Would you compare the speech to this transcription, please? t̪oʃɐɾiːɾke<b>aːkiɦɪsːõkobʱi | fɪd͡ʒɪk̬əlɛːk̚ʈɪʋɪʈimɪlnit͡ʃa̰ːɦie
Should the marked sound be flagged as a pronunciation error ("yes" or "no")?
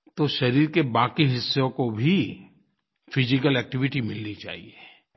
no